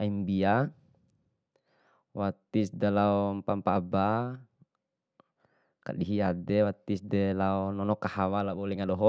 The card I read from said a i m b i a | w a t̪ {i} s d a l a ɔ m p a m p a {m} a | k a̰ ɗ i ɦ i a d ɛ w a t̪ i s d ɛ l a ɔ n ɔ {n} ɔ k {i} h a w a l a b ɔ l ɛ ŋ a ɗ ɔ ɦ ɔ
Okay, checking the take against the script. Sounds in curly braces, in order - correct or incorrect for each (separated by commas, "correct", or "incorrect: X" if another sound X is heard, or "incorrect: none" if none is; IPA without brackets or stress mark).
correct, incorrect: b, correct, incorrect: a